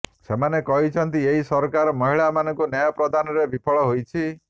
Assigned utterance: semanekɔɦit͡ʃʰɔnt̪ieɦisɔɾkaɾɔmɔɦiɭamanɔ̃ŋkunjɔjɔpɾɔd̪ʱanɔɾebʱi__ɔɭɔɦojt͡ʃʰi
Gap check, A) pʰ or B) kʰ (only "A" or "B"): A